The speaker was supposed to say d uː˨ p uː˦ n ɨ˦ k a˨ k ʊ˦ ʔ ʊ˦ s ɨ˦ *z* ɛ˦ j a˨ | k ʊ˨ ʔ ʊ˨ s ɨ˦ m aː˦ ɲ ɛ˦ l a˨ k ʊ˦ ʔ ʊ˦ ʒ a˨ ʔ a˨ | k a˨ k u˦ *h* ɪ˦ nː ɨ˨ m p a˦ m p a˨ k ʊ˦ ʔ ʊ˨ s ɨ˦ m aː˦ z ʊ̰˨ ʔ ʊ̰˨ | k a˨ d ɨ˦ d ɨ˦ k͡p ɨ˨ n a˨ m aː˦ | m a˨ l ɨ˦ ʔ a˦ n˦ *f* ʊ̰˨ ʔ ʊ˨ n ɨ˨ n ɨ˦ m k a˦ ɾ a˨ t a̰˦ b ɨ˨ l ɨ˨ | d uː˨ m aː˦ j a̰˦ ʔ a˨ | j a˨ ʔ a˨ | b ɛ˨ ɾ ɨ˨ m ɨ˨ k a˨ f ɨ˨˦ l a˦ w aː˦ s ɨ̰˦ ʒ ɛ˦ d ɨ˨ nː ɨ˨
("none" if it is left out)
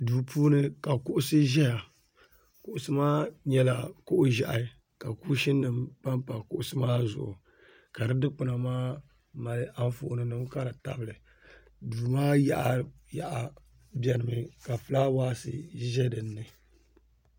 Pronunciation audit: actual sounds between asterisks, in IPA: ʒ, ʃ, f

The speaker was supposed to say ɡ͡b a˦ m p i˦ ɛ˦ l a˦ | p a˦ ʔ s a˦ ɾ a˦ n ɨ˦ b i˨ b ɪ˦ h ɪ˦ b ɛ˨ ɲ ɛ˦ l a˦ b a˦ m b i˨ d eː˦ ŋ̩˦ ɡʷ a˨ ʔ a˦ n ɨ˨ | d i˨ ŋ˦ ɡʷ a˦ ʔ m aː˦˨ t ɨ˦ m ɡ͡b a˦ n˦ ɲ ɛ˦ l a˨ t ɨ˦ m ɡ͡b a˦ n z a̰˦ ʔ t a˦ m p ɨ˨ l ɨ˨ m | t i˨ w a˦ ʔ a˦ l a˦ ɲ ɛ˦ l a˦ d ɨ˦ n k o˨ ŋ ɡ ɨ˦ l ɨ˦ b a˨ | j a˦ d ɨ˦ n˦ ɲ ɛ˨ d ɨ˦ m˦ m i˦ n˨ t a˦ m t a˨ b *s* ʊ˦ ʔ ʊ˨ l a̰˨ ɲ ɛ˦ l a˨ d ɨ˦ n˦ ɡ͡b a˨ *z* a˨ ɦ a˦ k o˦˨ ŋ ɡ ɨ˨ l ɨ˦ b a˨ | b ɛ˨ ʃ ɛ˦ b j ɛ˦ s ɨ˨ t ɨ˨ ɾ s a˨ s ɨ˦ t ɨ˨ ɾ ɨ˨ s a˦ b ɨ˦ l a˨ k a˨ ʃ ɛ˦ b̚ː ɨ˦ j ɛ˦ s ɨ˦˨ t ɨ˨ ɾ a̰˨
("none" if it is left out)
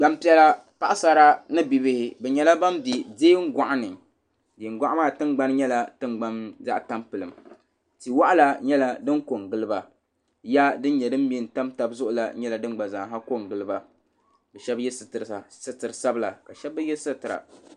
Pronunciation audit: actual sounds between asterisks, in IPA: z, z

